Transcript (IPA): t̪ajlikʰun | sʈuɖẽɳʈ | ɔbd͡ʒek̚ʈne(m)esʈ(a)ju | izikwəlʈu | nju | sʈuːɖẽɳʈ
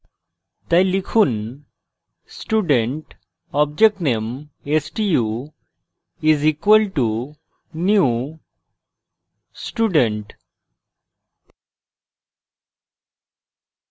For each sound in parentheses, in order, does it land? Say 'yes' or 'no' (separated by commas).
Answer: yes, no